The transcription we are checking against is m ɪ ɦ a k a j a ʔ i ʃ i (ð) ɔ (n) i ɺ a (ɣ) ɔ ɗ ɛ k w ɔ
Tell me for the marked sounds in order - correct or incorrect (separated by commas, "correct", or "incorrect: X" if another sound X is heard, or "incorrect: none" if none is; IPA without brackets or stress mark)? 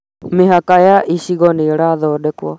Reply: incorrect: ɣ, correct, incorrect: ð